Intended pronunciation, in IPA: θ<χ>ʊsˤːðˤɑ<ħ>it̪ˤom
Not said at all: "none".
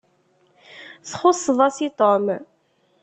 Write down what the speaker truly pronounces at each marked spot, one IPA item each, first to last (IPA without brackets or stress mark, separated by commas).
χ, s